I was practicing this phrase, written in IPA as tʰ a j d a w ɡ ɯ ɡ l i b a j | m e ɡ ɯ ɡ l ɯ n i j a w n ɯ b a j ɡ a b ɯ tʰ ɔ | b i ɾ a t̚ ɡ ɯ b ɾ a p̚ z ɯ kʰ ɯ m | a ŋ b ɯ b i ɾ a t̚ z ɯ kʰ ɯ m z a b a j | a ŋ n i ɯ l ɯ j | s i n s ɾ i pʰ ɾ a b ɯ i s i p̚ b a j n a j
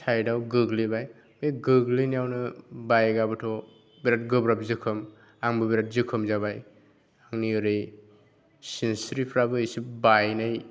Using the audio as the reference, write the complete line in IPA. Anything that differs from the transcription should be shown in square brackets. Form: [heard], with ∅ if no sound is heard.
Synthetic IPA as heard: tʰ a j d a w ɡ ɯ ɡ l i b a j | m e ɡ ɯ ɡ l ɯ n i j a w n ɯ b a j ɡ a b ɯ tʰ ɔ | b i ɾ a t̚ ɡ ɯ b ɾ a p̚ z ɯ kʰ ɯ m | a ŋ b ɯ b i ɾ a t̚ z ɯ kʰ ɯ m z a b a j | a ŋ n i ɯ [ɾ] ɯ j | s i n s ɾ i pʰ ɾ a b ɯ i s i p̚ b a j n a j

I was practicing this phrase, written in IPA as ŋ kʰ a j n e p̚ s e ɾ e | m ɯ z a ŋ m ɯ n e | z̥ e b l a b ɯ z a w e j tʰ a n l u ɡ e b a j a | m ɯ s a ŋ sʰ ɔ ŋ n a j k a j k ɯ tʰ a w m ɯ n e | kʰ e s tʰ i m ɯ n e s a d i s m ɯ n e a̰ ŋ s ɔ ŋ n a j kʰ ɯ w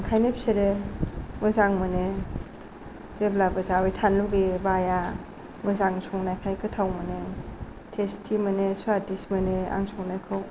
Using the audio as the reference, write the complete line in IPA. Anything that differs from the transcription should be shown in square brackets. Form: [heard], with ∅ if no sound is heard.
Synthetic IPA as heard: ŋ kʰ a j n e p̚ s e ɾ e | m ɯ z a ŋ m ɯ n e | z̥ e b l a b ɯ z a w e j tʰ a n l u ɡ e b a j a | m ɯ [z] a ŋ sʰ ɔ ŋ n a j [kʰ] a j k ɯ tʰ a w m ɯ n e | [tʰ] e s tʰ i m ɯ n e s a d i s m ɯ n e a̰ ŋ s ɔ ŋ n a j kʰ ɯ w

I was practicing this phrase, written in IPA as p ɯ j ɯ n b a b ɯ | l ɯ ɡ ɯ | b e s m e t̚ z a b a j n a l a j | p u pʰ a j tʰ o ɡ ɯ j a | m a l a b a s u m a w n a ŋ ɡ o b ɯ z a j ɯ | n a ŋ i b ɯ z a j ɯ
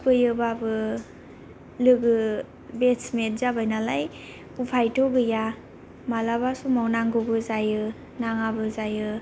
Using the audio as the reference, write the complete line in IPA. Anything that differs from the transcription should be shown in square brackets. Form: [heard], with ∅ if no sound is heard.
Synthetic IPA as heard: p ɯ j ɯ [∅] b a b ɯ | l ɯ ɡ ɯ | b e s m e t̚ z a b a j n a l a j | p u pʰ a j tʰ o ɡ ɯ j a | m a l a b a s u m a w n a ŋ ɡ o b ɯ z a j ɯ | n a ŋ [a] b ɯ z a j ɯ

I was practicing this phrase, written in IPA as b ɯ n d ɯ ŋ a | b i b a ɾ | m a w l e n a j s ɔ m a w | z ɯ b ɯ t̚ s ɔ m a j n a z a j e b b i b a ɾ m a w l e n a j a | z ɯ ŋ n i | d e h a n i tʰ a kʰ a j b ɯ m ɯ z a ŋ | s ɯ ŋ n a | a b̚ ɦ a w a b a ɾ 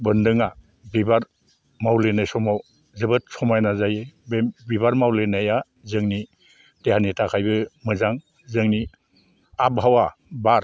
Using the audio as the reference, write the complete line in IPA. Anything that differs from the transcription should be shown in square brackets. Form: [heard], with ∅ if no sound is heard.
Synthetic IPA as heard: b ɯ n d ɯ ŋ a | b i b a ɾ | m a w l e n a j s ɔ m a w | z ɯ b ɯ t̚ s ɔ m a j n a z a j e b b i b a ɾ m a w l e n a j a | z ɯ ŋ n i | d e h a n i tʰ a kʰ a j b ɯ m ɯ z a ŋ | [z] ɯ ŋ n [i] | a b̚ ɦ a w a b a ɾ

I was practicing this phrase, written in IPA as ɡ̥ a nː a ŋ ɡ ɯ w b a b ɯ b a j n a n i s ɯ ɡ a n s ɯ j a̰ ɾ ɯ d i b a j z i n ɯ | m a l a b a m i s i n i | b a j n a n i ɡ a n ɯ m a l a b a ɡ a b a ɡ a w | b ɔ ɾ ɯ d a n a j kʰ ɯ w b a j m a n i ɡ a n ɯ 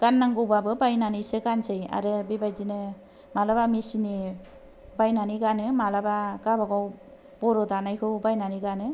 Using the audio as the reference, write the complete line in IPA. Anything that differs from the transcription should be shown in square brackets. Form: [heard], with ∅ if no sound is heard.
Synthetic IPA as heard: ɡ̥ a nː a ŋ ɡ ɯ w b a b ɯ b a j n a n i s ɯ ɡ a n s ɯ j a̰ ɾ ɯ [b] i b a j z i n ɯ | m a l a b a m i s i n i | b a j n a n i ɡ a n ɯ m a l a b a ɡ a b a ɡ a w | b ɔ ɾ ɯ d a n a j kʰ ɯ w b a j [n] a n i ɡ a n ɯ

